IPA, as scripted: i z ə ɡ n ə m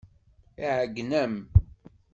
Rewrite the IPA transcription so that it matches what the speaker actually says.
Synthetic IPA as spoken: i ʕ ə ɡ n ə m

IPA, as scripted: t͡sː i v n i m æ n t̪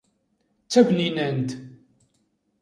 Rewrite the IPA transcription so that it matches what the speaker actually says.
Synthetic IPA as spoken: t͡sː æ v n i n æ n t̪

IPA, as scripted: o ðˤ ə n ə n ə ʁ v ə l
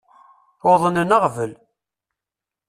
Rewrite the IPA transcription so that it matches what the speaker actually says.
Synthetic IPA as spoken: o ðˤ ə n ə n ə ʁ v ə l

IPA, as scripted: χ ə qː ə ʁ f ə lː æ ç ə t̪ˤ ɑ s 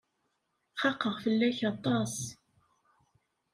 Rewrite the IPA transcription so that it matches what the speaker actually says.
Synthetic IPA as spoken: χ ɑ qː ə ʁ f ə lː æ ç ɑ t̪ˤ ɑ s

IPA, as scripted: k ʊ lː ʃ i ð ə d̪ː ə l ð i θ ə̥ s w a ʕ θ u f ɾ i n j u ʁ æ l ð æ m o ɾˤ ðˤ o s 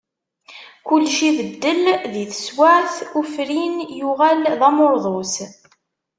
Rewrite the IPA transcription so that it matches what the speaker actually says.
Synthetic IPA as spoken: k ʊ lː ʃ i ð ə d̪ː ə l ð i θ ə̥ s w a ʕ θ u f ɾ i n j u ʁ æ l ð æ m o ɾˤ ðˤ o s

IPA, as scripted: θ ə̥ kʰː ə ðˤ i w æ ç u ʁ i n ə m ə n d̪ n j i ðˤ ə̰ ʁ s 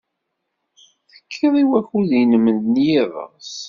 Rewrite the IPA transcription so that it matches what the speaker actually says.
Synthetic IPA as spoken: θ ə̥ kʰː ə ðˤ i w æ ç u ð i n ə m ə n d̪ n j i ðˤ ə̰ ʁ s

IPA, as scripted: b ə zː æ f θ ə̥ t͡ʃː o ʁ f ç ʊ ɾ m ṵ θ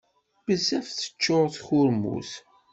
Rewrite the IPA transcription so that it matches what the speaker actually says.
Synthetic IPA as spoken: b ə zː æ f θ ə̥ t͡ʃː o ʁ θ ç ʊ ɾ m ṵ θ

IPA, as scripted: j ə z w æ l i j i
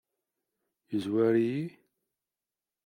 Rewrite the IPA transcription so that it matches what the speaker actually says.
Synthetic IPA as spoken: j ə z w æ ɾ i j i

